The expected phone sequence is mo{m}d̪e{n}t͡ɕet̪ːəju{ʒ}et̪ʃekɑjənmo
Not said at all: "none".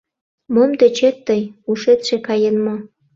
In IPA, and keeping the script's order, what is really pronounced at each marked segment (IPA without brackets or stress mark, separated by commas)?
m, none, ʃ